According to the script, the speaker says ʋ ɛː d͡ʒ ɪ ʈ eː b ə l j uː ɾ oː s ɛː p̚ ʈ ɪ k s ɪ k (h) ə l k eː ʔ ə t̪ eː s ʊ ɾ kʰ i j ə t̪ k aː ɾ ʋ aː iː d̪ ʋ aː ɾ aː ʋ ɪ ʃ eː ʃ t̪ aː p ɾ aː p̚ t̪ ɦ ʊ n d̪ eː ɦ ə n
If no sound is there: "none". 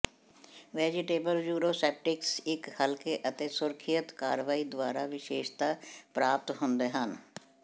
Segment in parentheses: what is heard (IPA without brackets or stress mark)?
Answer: h